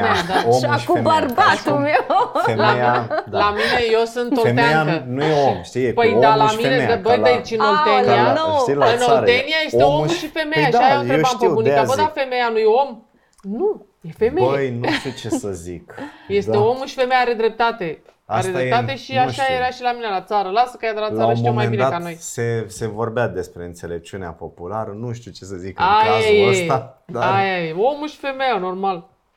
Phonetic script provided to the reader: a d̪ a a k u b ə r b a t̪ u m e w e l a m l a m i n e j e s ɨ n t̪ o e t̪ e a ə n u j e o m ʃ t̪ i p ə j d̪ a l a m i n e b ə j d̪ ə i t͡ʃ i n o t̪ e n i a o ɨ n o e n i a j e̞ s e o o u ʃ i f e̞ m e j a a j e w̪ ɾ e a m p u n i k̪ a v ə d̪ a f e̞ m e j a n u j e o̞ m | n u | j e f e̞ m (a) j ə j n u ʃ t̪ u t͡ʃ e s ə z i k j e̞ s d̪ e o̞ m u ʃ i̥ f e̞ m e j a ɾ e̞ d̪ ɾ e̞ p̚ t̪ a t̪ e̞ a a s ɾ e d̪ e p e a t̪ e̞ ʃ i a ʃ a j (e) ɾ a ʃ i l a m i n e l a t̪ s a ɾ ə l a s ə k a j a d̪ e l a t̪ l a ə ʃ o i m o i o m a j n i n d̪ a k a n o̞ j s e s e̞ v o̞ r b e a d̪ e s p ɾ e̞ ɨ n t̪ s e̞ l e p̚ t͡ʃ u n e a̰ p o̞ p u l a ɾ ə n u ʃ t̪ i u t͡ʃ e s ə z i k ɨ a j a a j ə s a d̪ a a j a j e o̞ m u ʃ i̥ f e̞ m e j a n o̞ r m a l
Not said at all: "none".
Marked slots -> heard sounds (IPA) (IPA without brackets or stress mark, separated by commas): e, e